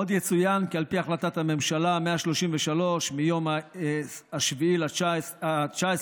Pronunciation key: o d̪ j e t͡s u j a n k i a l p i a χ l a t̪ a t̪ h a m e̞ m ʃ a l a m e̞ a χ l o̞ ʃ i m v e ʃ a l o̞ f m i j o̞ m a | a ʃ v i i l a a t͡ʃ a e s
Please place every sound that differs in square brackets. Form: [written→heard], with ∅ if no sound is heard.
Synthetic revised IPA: o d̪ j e t͡s u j a n k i a l p i a χ l a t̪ a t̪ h a m e̞ m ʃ a l a m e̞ a [χ→ʃ] l o̞ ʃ i m v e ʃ a l o̞ [f→ʃ] m i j o̞ m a | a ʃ v i i l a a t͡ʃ a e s